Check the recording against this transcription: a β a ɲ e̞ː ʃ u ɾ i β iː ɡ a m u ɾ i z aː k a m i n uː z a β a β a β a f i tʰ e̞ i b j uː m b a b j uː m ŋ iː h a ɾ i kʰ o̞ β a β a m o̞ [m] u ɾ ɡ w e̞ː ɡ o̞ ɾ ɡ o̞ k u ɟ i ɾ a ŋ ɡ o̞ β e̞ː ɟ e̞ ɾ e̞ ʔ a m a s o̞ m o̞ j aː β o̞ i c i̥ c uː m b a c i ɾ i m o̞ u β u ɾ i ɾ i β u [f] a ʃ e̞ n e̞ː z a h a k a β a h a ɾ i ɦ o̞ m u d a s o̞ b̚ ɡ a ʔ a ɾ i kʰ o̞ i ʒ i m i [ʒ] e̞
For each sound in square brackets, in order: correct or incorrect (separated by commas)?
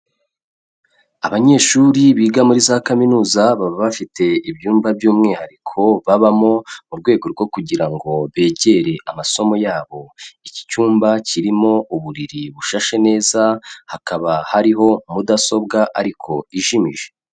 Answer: correct, incorrect, correct